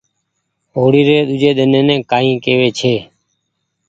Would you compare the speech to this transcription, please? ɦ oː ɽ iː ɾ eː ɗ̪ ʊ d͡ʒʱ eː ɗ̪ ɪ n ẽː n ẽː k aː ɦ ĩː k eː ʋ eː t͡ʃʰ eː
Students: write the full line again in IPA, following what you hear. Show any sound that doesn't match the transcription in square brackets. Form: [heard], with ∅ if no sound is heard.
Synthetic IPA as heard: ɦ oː ɽ iː ɾ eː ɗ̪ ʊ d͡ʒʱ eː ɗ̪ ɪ n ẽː n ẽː k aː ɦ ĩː k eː ʋ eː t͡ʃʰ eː